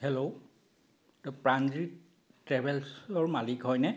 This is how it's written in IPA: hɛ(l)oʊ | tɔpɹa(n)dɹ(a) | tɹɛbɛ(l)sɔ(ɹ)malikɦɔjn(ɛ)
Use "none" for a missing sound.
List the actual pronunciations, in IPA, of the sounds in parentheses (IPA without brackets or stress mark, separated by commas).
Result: l, n, i, l, ɹ, ɛ